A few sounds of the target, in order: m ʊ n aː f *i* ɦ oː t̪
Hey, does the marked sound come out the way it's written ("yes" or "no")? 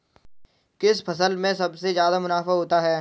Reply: no